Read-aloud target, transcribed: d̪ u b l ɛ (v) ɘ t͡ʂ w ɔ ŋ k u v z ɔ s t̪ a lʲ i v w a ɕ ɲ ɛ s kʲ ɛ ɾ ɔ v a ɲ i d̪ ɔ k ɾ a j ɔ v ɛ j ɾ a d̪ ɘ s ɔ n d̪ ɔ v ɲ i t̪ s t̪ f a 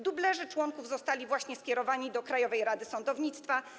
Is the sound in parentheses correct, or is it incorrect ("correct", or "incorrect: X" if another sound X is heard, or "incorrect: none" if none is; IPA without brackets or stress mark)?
incorrect: ʐ